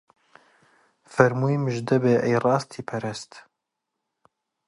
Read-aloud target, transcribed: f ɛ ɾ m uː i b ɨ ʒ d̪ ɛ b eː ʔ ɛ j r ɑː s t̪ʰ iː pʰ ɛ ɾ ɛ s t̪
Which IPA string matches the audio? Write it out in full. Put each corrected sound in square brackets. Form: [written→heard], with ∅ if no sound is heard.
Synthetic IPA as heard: f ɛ ɾ m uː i [b→m] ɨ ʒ d̪ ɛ b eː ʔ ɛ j r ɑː s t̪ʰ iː pʰ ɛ ɾ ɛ s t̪

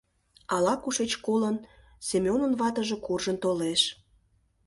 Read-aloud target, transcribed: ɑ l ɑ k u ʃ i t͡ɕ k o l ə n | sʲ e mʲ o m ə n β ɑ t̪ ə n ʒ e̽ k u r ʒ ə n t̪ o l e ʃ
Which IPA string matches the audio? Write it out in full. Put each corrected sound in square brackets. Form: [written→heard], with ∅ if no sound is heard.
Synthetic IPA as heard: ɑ l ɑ k u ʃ [i→e] t͡ɕ k o l ə n | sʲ e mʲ o [m→n] ə n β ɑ t̪ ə [n→∅] ʒ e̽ k u r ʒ ə n t̪ o l e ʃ

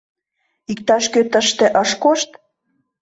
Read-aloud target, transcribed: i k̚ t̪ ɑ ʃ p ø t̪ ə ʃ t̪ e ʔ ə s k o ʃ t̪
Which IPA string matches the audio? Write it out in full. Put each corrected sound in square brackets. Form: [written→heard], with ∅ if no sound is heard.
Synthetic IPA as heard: i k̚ t̪ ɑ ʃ [p→k] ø t̪ ə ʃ t̪ e ʔ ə [s→ʃ] k o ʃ t̪

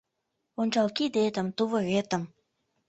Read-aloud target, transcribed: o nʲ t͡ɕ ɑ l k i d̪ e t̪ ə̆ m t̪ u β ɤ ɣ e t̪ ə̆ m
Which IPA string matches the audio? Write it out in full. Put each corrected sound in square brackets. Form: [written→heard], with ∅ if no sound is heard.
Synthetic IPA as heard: o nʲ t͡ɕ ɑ l k i d̪ e t̪ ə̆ m t̪ u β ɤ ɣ e t̪ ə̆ m

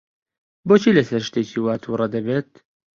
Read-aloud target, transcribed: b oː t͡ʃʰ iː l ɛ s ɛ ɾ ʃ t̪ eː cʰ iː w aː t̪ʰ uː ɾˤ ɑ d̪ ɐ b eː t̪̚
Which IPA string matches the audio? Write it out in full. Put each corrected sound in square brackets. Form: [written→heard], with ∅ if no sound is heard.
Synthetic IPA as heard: b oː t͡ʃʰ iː l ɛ s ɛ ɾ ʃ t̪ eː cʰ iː w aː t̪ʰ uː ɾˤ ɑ d̪ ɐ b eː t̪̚

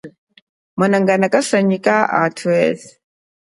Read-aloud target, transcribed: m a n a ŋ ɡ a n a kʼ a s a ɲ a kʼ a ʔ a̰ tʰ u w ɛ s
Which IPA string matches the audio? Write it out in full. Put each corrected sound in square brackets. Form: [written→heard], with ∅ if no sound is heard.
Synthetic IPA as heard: m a n a ŋ ɡ a n a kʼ a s a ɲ [a→i] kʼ a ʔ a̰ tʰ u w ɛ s

